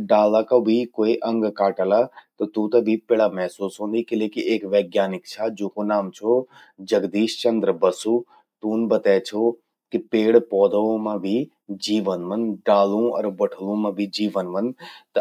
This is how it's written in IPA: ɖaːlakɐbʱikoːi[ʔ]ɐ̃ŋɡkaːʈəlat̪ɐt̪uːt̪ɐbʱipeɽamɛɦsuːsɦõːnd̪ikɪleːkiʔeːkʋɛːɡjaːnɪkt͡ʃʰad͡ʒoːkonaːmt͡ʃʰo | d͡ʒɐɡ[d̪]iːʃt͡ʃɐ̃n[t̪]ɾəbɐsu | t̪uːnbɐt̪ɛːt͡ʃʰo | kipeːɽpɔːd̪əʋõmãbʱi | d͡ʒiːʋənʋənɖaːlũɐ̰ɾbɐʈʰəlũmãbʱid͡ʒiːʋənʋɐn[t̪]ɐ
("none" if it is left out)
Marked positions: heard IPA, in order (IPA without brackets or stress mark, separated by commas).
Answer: ʔ, d̪, d̪, t̪